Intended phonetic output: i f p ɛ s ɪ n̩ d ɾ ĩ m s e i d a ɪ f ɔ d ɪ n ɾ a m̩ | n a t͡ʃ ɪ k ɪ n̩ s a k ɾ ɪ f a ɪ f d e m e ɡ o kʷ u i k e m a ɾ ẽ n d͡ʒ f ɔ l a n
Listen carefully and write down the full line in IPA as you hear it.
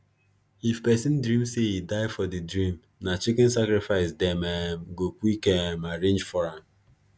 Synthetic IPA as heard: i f p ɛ s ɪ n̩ d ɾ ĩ m s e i d a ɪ f ɔ d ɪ d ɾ i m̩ | n a t͡ʃ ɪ k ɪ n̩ s a k ɾ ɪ f a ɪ s d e m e ɡ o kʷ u i k e m a ɾ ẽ n d͡ʒ f ɔ ɾ a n